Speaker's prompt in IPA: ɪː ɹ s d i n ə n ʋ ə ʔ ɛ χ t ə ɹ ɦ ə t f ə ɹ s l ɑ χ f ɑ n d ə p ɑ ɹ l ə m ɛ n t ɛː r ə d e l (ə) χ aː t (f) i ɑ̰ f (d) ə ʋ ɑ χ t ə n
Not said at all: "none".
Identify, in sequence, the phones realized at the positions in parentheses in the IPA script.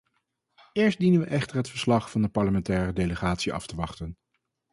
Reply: ə, s, t

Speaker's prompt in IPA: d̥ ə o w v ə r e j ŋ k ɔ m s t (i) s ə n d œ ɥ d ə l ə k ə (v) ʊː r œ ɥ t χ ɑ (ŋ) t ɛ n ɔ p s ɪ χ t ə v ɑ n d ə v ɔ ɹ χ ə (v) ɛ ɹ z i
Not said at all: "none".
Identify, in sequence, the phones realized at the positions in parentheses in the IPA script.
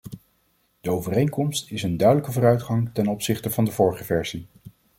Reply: ɪ, v, ŋ, v

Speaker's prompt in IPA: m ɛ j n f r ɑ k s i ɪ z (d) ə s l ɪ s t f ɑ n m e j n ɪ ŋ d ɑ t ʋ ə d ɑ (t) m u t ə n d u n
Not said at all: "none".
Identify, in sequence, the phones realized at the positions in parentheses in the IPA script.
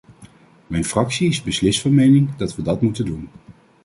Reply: b, t

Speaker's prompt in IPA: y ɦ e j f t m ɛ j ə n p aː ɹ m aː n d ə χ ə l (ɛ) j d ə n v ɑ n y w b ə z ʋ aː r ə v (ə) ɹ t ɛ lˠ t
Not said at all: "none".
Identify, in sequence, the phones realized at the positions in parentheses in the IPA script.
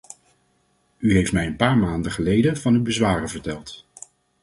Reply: e, ə

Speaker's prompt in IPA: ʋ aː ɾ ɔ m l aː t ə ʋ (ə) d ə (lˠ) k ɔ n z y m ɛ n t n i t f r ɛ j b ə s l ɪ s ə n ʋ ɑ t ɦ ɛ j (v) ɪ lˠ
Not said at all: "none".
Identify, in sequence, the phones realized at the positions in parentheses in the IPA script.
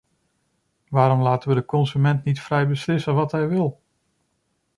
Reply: ə, none, ʋ

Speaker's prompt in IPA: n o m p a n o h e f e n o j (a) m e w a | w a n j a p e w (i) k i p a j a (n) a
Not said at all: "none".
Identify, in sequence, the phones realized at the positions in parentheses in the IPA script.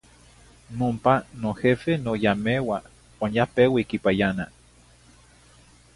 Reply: a, i, n

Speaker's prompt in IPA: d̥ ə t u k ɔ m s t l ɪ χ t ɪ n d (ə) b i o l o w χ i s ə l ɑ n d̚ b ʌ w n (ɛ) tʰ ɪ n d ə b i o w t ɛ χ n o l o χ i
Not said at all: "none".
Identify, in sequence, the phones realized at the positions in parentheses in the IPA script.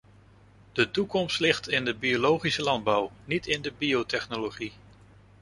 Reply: ə, i

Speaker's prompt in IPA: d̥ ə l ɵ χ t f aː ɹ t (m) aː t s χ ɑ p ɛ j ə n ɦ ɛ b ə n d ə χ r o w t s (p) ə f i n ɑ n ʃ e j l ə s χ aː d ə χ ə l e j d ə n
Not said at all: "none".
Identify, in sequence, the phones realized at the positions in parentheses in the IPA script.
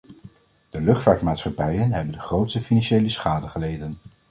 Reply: m, t

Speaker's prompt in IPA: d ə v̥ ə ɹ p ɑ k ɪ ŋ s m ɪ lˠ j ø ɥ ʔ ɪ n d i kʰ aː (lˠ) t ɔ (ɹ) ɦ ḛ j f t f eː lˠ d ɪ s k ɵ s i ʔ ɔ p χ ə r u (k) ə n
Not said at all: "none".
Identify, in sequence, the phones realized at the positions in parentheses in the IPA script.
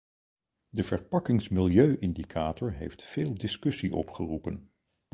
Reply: none, ɹ, p

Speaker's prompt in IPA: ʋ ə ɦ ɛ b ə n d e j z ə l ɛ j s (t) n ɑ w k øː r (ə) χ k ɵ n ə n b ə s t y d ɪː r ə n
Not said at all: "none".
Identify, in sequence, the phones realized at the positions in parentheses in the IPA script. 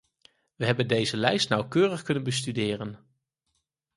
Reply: t, ə

